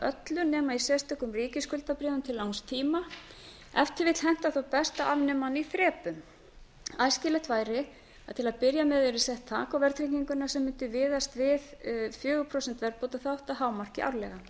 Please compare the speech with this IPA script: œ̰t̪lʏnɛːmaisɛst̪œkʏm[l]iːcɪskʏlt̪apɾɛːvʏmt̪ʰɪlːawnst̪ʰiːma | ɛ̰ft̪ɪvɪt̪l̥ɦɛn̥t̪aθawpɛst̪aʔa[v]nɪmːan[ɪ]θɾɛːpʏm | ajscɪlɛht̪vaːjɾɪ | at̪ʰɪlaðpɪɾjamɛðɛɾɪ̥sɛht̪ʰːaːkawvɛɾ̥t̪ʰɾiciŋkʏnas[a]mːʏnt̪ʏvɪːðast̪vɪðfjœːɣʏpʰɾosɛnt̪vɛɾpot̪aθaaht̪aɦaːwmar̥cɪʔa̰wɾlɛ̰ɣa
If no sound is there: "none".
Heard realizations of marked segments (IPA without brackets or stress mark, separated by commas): r, v, i, ɛ